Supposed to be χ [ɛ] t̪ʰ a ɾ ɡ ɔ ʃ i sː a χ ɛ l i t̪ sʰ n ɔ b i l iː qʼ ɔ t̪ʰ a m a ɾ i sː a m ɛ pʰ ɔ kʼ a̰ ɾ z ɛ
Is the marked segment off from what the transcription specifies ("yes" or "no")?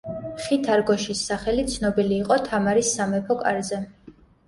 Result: yes